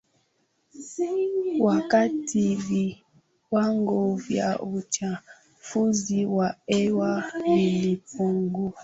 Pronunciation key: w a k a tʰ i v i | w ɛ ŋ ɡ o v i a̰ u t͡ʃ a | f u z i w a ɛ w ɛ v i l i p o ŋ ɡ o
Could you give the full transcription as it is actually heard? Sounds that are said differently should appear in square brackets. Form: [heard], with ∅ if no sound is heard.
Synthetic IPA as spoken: w a k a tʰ i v i | w [a] ŋ ɡ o v [j] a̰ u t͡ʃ a | f u z i w a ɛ w [a] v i l i p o ŋ ɡ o